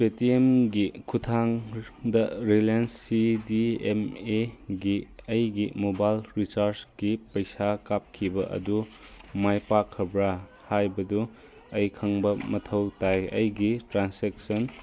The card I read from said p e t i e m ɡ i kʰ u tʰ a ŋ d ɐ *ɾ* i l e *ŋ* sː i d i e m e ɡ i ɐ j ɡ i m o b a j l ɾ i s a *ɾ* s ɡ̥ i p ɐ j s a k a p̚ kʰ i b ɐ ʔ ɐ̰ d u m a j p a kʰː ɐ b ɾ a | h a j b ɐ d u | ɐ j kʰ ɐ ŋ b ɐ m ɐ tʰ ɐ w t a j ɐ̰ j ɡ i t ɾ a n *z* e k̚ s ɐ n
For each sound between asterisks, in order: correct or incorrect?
correct, incorrect, correct, incorrect

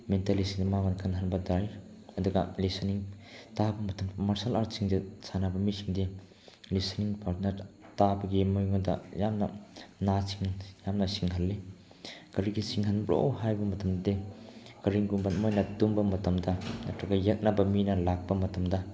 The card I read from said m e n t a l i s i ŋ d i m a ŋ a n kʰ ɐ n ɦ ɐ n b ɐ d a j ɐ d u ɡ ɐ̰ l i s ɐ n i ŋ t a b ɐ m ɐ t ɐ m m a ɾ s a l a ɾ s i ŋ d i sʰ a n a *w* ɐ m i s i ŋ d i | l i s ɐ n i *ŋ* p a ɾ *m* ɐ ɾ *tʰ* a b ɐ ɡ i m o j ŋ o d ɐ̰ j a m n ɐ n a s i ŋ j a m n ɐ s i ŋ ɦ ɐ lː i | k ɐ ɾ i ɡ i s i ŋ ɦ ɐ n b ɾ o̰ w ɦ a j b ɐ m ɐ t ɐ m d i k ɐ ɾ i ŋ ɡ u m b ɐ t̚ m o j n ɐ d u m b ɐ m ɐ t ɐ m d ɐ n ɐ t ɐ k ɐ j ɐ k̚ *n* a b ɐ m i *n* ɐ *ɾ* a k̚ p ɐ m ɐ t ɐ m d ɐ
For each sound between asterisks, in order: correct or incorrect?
incorrect, correct, incorrect, incorrect, correct, correct, incorrect

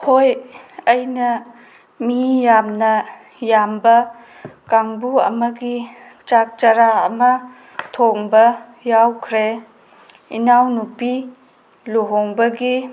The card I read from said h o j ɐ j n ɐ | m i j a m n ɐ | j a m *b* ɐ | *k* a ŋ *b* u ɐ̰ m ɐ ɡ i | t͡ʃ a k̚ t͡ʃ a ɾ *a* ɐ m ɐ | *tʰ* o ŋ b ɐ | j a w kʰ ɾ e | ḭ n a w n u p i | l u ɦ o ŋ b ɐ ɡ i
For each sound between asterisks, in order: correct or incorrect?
correct, correct, correct, correct, correct

